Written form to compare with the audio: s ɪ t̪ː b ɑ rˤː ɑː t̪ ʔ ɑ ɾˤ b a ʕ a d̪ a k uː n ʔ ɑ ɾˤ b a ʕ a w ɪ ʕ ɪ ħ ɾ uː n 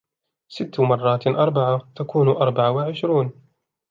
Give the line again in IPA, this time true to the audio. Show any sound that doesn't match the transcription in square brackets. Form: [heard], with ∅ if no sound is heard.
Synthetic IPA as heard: s ɪ t̪ː [m] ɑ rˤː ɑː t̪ ʔ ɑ ɾˤ b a ʕ a [t̪] a k uː n ʔ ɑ ɾˤ b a ʕ a w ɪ ʕ ɪ [ʃ] ɾ uː n